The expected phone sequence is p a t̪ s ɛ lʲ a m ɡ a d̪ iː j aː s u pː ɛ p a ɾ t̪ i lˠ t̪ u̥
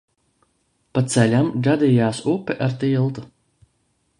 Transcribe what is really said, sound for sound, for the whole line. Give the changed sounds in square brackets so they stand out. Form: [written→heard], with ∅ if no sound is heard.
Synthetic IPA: p a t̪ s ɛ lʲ a m ɡ a d̪ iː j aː s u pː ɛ [p→ʔ] a ɾ t̪ i lˠ t̪ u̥